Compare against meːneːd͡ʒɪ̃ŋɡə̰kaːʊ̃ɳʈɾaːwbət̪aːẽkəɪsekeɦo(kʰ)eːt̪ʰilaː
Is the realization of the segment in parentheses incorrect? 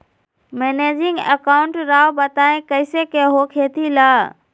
no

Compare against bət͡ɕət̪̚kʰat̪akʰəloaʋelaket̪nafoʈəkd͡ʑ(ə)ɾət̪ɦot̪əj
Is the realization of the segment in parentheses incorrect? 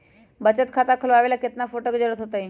no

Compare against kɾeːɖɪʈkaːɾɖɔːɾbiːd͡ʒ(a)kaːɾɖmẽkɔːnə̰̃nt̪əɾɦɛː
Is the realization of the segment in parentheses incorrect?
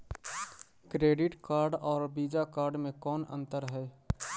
no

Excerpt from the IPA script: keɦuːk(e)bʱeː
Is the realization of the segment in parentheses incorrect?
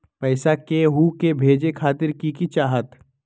no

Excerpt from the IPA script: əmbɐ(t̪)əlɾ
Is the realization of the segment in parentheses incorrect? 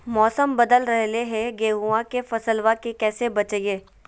yes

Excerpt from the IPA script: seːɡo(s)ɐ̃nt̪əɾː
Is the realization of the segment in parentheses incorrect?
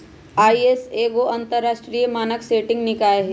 yes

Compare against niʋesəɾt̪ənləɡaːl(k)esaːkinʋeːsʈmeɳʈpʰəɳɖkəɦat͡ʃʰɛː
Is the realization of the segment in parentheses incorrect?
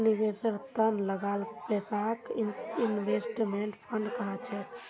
yes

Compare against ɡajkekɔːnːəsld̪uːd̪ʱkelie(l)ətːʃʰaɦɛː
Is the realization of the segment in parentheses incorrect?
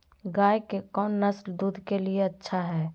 yes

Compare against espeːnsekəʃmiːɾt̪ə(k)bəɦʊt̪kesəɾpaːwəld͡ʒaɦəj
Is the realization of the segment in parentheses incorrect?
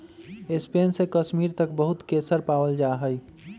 no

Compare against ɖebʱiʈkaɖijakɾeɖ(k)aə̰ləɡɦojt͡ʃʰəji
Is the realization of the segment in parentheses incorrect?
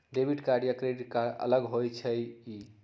no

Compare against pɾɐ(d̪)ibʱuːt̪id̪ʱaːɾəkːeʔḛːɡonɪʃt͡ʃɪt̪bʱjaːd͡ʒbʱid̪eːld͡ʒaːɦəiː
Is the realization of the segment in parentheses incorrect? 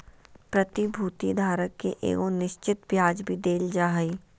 yes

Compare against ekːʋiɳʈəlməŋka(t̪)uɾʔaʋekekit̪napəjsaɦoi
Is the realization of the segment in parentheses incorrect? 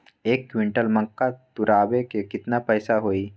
no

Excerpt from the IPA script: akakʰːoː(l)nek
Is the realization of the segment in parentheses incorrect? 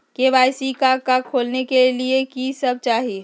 no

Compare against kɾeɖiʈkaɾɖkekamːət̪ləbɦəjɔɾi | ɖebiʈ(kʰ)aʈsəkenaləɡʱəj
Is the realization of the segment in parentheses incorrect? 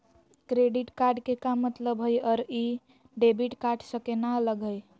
yes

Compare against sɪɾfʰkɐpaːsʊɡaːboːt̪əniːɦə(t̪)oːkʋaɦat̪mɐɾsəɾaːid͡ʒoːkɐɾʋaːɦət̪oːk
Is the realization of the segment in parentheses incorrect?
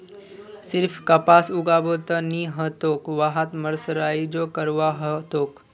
no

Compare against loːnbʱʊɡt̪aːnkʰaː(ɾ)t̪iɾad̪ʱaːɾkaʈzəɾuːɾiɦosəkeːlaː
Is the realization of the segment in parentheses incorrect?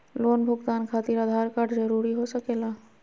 yes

